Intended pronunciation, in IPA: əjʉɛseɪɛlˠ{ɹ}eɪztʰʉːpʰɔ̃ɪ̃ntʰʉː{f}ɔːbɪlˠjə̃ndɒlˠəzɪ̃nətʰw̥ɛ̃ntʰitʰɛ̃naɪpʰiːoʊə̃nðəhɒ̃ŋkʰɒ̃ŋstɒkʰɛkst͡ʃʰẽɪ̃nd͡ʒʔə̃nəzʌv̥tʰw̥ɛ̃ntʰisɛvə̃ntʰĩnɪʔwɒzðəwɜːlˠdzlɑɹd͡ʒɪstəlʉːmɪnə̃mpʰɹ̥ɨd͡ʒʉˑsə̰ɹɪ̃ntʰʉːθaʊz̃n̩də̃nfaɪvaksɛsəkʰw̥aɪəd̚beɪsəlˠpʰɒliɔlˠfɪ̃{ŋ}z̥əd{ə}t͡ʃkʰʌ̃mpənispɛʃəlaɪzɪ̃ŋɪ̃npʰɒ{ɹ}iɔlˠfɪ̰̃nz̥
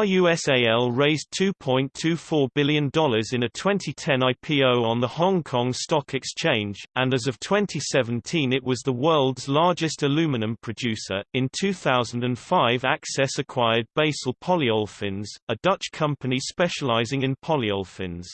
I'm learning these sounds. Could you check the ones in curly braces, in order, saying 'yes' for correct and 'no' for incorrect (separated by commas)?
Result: yes, yes, no, no, no